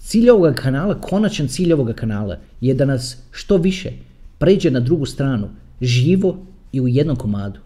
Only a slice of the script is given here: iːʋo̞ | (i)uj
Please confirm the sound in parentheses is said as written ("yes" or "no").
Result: yes